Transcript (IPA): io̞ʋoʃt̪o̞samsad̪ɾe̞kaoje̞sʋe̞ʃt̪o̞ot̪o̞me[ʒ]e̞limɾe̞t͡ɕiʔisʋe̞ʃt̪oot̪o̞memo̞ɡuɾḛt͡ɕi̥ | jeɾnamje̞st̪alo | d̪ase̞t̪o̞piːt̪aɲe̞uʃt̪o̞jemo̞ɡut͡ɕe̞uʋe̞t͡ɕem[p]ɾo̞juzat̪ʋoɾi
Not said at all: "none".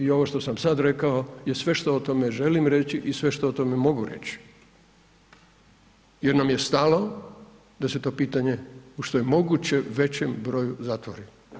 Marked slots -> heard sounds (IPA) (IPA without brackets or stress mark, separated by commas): ʒ, b